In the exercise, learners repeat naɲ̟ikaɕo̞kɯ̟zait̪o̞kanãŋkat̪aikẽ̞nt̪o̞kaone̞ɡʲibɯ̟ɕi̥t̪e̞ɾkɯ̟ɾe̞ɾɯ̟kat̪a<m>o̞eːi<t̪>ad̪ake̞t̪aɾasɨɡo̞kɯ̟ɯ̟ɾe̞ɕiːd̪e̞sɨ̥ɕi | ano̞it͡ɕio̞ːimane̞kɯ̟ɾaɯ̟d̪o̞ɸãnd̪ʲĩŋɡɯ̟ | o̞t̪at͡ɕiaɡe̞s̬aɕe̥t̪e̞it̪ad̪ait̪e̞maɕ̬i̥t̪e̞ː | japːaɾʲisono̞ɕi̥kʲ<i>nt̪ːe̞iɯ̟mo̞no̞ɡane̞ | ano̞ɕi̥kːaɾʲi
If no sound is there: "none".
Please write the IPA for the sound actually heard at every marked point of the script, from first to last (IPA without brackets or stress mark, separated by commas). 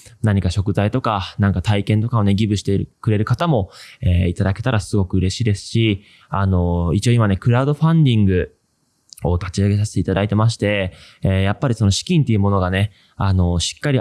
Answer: m, t̪, ĩ